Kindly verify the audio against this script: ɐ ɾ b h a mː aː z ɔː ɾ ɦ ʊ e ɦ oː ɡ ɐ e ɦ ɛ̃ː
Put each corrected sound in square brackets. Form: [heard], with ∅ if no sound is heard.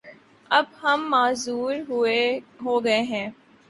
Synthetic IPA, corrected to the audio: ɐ [∅] b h [ɐ] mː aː z [uː] ɾ ɦ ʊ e ɦ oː ɡ ɐ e ɦ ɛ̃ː